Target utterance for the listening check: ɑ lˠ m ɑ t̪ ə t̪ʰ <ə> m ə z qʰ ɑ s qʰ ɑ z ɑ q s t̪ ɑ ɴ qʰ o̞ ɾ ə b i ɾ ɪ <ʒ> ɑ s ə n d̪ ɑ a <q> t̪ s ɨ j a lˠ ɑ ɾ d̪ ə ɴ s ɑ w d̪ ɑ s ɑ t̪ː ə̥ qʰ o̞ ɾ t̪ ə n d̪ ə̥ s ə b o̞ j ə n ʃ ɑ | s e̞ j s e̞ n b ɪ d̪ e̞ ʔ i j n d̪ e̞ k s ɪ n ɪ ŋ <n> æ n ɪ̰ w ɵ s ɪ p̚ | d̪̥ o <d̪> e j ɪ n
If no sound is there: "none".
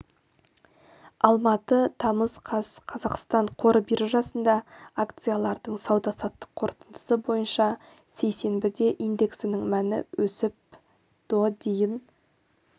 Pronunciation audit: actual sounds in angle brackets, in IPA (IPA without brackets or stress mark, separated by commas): ɑ, ʒ, k, m, d̪